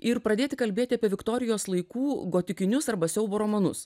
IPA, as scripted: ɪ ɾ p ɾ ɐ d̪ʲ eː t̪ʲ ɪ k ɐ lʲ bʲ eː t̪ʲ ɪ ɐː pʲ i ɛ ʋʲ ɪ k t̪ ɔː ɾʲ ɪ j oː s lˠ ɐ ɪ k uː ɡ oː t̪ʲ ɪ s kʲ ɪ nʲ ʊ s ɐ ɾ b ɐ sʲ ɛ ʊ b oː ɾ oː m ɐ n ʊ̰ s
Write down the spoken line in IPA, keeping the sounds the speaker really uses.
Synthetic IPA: ɪ ɾ p ɾ ɐ d̪ʲ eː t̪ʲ ɪ k ɐ lʲ bʲ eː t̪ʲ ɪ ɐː pʲ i ɛ ʋʲ ɪ k t̪ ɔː ɾʲ ɪ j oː s lˠ ɐ ɪ k uː ɡ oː t̪ʲ ɪ kʲ ɪ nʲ ʊ s ɐ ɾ b ɐ sʲ ɛ ʊ b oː ɾ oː m ɐ n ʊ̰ s